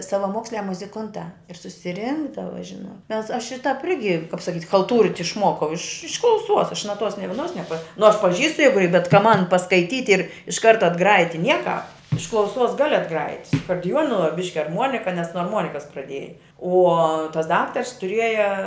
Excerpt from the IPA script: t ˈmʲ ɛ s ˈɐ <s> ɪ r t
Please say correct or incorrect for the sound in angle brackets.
incorrect